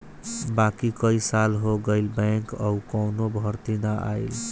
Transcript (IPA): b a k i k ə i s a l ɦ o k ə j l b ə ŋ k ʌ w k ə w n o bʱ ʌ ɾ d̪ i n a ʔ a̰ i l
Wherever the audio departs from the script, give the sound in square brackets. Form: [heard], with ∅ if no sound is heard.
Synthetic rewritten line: b a k i k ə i s a l ɦ o [ɡ] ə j l b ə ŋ k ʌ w k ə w n o bʱ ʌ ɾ [t̪] i n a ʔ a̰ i l